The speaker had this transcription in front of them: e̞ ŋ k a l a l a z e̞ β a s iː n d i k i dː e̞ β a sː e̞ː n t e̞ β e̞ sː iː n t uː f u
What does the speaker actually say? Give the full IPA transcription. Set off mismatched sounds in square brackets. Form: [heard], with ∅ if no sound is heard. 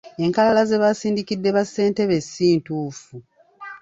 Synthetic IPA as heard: e̞ ŋ k a l a l a z e̞ β a s iː n d i k i dː e̞ β a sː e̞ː n t e̞ β e̞ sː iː n t uː f u